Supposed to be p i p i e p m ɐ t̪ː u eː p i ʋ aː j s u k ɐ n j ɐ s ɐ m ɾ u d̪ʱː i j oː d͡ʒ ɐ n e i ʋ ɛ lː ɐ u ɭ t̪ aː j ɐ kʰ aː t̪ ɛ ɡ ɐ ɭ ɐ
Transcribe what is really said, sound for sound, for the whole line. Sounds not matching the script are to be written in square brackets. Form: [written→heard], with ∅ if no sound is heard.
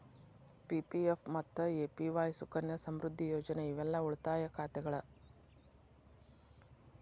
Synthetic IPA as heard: p i p i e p m ɐ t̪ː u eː p i ʋ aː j s u k ɐ n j ɐ s ɐ m ɾ u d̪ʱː i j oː d͡ʒ ɐ n e i ʋ ɛ lː ɐ u ɭ t̪ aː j ɐ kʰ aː t̪ ɛ ɡ ɐ ɭ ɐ